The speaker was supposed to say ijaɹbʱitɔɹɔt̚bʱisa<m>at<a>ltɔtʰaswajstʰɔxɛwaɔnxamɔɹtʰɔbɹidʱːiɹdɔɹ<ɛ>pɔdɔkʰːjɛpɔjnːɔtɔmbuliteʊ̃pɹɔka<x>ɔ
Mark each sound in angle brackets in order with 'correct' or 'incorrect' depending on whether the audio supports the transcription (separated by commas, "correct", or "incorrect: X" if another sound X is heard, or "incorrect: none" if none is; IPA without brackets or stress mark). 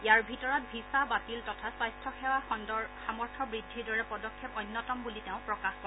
incorrect: b, incorrect: i, correct, correct